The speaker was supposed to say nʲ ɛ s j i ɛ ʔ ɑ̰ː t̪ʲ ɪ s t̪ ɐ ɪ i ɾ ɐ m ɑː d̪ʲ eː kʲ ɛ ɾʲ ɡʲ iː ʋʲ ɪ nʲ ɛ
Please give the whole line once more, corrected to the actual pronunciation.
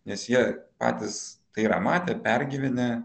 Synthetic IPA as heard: nʲ ɛ s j i ɛ p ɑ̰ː t̪ʲ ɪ s t̪ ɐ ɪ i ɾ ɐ m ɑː t̪ʲ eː pʲ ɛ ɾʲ ɡʲ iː ʋʲ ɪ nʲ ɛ

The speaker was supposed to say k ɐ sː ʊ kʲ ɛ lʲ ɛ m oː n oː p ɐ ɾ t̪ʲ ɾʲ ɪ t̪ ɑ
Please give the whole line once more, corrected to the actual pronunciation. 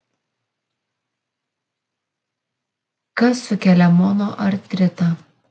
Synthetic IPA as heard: k ɐ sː ʊ kʲ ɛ lʲ ɛ m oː n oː ʔ ɐ ɾ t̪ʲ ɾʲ ɪ t̪ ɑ

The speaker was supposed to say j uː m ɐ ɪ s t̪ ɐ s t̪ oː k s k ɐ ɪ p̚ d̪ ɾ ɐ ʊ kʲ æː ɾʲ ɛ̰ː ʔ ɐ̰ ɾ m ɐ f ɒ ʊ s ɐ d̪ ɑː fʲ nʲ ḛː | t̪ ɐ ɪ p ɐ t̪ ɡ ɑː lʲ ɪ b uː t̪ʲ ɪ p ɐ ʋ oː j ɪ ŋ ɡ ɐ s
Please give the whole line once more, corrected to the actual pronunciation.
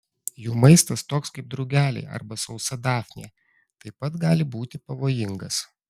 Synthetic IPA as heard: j uː m ɐ ɪ s t̪ ɐ s t̪ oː k s k ɐ ɪ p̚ d̪ ɾ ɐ ʊ ɡʲ æː lʲ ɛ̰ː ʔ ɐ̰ ɾ b ɐ s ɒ ʊ s ɐ d̪ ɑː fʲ nʲ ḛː | t̪ ɐ ɪ p ɐ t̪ ɡ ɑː lʲ ɪ b uː t̪ʲ ɪ p ɐ ʋ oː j ɪ ŋ ɡ ɐ s

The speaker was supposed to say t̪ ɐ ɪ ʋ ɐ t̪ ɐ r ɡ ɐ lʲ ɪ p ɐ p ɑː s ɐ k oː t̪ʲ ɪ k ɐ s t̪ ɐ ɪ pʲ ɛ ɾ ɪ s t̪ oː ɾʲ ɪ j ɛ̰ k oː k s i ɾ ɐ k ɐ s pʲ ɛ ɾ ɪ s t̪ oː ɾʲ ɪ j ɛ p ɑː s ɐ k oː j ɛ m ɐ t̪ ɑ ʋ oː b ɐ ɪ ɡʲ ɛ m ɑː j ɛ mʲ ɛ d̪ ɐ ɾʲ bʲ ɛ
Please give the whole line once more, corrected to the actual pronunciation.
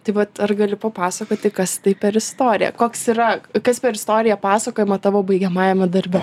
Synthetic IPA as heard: t̪ ɐ ɪ ʋ ɐ t̪ ɐ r ɡ ɐ lʲ ɪ p ɐ p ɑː s ɐ k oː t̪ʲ ɪ k ɐ s t̪ ɐ ɪ pʲ ɛ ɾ ɪ s t̪ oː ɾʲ ɪ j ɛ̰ k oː k s i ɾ ɐ k ɐ s pʲ ɛ ɾ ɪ s t̪ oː ɾʲ ɪ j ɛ p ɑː s ɐ k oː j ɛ m ɐ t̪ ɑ ʋ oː b ɐ ɪ ɡʲ ɛ m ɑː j ɛ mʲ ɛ d̪ ɐ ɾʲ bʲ ɛ

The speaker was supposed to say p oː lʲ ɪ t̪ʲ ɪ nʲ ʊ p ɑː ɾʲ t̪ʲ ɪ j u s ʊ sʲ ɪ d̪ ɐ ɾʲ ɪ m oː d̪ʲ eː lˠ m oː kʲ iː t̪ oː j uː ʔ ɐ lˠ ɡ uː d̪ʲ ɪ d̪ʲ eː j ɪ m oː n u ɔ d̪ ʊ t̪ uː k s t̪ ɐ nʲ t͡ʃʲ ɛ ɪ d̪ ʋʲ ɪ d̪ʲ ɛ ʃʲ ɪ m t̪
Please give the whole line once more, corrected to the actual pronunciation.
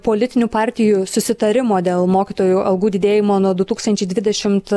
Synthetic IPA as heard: p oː lʲ ɪ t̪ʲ ɪ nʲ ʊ p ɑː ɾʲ t̪ʲ ɪ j u s ʊ sʲ ɪ t̪ ɐ ɾʲ ɪ m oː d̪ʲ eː lˠ m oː kʲ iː t̪ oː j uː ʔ ɐ lˠ ɡ uː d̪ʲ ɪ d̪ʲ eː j ɪ m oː n u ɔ d̪ ʊ t̪ uː k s t̪ ɐ nʲ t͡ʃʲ ɛ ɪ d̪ ʋʲ ɪ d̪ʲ ɛ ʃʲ ɪ m t̪

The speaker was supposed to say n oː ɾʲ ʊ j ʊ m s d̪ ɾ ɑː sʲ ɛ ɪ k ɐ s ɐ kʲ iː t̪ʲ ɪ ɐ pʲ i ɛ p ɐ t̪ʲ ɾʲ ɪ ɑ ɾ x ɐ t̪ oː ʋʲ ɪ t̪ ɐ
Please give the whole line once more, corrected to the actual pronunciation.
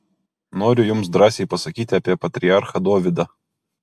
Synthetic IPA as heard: n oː ɾʲ ʊ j ʊ m s d̪ ɾ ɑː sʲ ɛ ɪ p ɐ s ɐ kʲ iː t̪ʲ ɪ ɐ pʲ i ɛ p ɐ t̪ʲ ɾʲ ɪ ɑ ɾ x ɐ d̪ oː ʋʲ ɪ d̪ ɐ

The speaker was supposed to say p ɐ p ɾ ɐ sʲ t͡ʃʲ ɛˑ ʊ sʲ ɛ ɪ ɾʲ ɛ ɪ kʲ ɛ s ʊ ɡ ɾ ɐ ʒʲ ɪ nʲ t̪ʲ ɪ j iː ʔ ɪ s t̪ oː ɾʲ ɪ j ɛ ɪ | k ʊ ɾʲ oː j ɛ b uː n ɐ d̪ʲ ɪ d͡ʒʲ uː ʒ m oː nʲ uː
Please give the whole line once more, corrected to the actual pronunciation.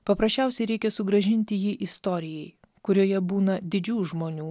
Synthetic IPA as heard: p ɐ p ɾ ɐ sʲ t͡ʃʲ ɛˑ ʊ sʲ ɛ ɪ ɾʲ ɛ ɪ kʲ ɛ s ʊ ɡ ɾ ɐ ʒʲ ɪ nʲ t̪ʲ ɪ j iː ʔ ɪ s t̪ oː ɾʲ ɪ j ɛ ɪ | k ʊ ɾʲ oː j ɛ b uː n ɐ d̪ʲ ɪ d͡ʒʲ uː ʒ m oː nʲ uː

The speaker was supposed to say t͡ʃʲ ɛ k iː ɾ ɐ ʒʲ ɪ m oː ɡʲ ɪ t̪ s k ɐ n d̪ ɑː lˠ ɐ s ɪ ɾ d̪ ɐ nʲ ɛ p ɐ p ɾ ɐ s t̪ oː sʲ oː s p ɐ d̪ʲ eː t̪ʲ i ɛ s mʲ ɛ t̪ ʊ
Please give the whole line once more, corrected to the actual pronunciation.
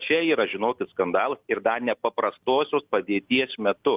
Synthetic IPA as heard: t͡ʃʲ ɛ iː ɾ ɐ ʒʲ ɪ n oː kʲ ɪ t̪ s k ɐ n d̪ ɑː lˠ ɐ s ɪ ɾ d̪ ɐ nʲ ɛ p ɐ p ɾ ɐ s t̪ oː sʲ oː s p ɐ d̪ʲ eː t̪ʲ i ɛ s mʲ ɛ t̪ ʊ

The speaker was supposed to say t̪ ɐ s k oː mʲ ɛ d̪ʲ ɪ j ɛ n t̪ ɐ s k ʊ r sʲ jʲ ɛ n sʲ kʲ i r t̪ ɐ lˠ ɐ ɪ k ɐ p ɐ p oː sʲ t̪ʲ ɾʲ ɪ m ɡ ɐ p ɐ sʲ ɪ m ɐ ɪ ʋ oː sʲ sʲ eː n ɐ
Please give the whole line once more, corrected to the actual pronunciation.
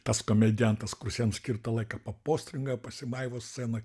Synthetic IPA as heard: t̪ ɐ s k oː mʲ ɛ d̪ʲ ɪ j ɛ n t̪ ɐ s k ʊ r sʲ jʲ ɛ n sʲ kʲ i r t̪ ɐ lˠ ɐ ɪ k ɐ p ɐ p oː sʲ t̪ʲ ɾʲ ɪ ŋ ɡ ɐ p ɐ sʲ ɪ m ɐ ɪ ʋ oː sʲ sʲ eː n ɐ

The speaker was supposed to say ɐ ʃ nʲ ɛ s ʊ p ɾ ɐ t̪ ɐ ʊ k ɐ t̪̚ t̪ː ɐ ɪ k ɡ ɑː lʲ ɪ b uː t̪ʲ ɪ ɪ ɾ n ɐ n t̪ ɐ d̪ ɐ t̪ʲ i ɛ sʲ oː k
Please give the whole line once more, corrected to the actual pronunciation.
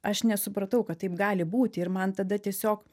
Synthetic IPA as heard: ɐ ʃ nʲ ɛ s ʊ p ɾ ɐ t̪ ɐ ʊ k ɐ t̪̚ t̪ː ɐ ɪ p ɡ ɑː lʲ ɪ b uː t̪ʲ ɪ ɪ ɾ m ɐ n t̪ ɐ d̪ ɐ t̪ʲ i ɛ sʲ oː k

